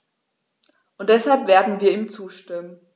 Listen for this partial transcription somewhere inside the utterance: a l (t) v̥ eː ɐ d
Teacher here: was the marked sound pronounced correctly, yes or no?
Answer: no